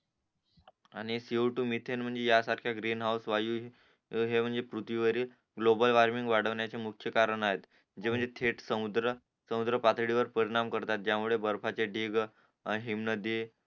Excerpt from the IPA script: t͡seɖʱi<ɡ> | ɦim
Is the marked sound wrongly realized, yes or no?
no